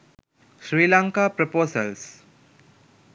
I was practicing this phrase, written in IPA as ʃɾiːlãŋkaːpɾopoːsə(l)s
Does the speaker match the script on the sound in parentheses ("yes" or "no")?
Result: yes